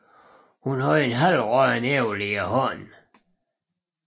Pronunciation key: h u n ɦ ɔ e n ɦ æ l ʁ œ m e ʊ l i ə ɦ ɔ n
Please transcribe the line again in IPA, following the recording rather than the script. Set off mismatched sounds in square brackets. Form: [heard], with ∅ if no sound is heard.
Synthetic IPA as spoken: h u n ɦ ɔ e n ɦ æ l ʁ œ [n] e ʊ l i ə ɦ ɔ n